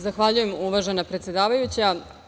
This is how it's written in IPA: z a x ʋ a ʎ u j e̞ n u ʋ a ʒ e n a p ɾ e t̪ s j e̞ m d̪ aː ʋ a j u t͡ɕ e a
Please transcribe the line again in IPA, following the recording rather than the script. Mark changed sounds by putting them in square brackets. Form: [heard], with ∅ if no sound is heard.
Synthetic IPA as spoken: z a x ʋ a ʎ u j e̞ [m] u ʋ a ʒ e n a p ɾ e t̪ s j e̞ [∅] d̪ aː ʋ a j u t͡ɕ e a